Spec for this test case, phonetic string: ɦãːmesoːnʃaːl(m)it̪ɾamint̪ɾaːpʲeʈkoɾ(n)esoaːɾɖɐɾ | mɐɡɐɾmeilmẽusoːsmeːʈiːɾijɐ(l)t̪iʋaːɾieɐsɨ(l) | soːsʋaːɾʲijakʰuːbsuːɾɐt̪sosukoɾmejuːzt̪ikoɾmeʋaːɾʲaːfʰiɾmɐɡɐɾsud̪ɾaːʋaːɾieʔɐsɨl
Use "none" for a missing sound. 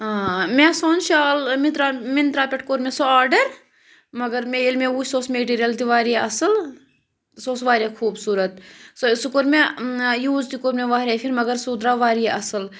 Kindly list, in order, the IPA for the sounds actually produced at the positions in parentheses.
m, m, l, l

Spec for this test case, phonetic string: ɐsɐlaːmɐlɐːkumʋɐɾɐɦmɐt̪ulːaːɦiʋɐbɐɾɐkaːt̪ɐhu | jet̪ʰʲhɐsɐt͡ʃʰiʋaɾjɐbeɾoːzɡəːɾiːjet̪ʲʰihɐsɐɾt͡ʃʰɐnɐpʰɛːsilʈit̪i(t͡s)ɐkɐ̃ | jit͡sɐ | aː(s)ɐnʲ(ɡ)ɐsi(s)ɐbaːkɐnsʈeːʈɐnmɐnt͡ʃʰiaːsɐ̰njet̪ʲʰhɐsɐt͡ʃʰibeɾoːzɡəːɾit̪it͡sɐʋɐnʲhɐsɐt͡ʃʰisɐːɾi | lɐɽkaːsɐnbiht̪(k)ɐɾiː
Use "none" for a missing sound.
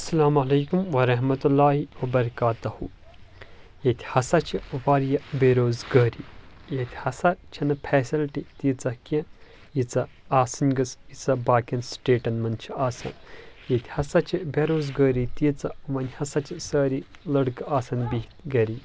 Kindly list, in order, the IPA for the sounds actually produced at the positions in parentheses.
t͡s, s, ɡ, t͡s, ɡ

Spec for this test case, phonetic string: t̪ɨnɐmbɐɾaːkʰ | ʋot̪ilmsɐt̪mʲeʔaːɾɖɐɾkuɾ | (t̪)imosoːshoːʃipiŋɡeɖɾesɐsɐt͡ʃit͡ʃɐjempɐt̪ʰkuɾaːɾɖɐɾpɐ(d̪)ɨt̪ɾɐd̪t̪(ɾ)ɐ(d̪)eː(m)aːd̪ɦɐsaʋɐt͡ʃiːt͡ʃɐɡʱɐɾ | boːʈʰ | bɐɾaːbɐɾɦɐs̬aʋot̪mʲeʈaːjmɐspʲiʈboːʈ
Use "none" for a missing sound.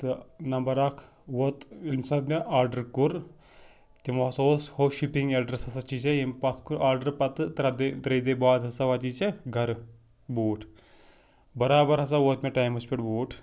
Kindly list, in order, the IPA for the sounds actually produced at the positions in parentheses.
t̪, t̪, ɾ, d̪, b

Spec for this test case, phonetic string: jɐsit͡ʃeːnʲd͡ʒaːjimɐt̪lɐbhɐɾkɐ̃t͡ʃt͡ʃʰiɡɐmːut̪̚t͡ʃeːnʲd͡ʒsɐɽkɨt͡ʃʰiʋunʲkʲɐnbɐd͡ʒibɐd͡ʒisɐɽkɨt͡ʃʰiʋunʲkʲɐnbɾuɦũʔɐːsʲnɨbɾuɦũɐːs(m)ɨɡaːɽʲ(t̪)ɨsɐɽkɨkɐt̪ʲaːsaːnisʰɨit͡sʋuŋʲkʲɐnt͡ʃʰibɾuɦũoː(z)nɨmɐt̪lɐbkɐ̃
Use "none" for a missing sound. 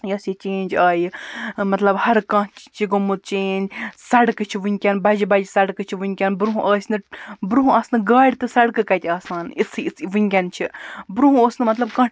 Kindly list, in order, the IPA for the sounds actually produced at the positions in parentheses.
n, t̪, s

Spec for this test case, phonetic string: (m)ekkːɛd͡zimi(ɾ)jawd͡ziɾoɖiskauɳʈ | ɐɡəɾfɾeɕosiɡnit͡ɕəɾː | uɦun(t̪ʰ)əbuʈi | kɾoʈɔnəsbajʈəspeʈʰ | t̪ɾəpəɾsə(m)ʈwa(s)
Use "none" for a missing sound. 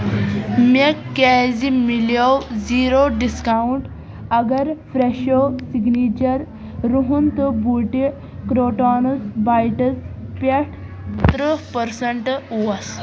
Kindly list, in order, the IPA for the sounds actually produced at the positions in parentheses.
m, l, t̪, ɳ, s

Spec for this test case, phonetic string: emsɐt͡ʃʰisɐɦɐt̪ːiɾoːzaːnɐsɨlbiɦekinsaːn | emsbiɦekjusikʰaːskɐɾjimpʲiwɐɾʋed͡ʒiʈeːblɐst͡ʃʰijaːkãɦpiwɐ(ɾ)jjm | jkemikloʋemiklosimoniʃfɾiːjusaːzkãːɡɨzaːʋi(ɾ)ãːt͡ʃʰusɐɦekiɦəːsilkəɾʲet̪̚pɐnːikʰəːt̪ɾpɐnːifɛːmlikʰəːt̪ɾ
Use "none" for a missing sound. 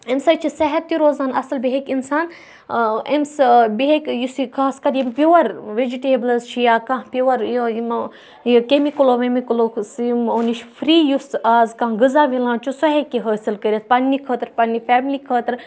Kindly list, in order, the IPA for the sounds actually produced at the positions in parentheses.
ɾ, l

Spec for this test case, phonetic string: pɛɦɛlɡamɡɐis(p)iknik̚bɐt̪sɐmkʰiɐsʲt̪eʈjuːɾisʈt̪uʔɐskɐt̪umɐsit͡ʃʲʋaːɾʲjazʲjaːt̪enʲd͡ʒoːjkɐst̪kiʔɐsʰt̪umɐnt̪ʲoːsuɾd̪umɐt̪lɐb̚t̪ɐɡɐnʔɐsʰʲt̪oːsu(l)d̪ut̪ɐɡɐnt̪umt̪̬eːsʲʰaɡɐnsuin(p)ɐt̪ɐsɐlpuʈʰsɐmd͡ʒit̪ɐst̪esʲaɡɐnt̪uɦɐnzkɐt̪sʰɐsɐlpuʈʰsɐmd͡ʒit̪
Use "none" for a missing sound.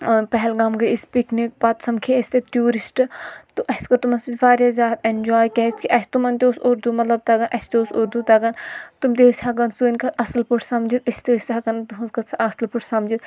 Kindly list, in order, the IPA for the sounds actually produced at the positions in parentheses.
p, ɾ, k

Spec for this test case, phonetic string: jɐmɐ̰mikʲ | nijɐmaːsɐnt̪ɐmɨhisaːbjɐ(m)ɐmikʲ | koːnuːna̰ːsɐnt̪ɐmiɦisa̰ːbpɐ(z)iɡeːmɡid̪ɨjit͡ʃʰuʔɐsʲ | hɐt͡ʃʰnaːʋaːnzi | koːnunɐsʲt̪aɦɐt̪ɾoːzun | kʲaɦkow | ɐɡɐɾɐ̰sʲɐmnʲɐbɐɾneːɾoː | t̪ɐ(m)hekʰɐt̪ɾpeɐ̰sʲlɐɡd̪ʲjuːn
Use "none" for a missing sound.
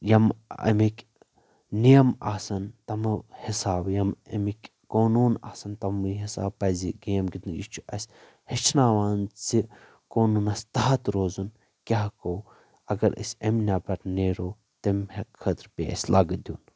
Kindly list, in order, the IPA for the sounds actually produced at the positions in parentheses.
m, z, m

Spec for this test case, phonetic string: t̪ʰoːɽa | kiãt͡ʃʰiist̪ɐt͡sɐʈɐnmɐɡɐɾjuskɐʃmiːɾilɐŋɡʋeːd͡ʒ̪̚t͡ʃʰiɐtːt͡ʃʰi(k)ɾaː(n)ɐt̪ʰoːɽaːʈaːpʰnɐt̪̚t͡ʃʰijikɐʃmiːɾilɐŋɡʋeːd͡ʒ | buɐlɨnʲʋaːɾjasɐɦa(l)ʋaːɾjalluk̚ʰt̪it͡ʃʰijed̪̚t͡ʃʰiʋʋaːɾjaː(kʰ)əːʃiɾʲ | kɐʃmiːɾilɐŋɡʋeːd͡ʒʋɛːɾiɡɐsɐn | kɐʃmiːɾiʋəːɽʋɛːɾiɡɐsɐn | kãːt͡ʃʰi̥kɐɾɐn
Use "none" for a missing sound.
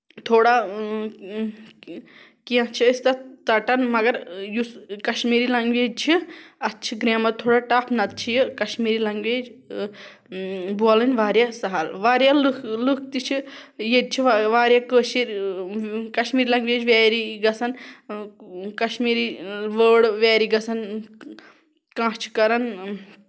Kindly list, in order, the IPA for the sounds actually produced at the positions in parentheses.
ɡ, m, l, k

